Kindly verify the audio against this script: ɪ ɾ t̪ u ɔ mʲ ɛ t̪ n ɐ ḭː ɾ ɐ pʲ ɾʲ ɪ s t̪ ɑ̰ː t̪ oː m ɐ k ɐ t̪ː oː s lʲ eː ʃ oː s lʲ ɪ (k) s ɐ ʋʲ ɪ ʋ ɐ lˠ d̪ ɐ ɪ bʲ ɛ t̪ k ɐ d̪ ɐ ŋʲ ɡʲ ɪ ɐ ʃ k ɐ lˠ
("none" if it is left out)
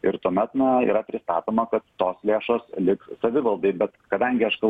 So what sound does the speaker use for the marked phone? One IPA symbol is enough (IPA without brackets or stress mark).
k